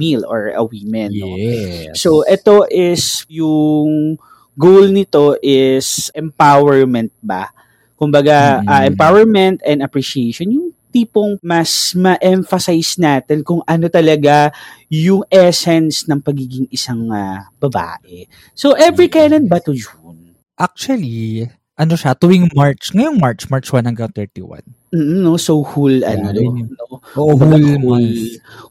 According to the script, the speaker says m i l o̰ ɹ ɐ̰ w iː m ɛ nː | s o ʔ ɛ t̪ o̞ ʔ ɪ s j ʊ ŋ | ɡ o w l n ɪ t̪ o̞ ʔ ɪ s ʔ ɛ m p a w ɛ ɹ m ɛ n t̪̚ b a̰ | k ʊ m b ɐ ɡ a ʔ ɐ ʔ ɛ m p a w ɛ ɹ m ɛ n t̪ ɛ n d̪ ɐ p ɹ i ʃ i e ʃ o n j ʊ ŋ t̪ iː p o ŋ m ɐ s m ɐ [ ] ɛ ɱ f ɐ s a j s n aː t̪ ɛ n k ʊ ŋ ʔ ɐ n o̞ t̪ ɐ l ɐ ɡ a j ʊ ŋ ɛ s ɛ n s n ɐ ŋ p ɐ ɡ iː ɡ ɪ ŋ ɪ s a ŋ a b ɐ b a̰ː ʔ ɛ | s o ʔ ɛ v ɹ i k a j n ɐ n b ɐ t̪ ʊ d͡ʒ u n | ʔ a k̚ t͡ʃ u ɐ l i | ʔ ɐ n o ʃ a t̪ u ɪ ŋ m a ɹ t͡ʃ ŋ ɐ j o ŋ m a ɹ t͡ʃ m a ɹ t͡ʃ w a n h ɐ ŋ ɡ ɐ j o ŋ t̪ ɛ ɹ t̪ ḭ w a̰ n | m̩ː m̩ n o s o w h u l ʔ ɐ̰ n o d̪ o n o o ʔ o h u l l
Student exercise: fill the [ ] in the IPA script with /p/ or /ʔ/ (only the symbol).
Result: ʔ